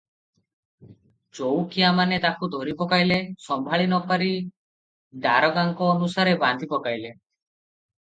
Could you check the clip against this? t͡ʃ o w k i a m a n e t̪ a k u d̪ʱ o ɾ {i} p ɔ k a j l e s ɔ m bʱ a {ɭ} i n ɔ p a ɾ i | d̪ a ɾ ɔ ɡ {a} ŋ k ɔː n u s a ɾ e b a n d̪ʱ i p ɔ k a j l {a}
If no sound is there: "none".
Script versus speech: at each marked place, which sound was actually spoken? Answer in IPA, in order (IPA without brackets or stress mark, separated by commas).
i, ɭ, a, e